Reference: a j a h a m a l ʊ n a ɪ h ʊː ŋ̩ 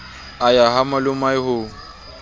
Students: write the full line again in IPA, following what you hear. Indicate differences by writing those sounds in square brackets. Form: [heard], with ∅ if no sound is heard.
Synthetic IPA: a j a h a m a l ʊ [m] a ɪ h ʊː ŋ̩